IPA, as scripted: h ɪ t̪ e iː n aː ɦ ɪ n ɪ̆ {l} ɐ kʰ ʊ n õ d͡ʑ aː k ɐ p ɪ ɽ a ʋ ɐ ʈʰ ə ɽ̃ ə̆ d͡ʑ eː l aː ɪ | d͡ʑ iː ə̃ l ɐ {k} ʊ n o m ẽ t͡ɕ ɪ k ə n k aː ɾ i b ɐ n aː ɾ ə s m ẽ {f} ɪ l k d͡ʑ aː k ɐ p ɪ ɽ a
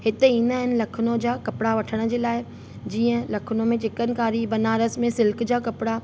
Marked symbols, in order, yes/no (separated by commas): yes, no, no